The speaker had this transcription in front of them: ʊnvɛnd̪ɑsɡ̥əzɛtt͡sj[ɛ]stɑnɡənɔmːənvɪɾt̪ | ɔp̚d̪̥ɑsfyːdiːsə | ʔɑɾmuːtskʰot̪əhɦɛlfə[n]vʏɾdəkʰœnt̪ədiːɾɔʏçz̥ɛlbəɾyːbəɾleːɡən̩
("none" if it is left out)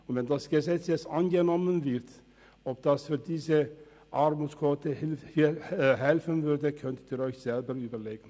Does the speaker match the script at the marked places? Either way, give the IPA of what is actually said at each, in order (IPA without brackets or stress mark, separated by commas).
ɛ, n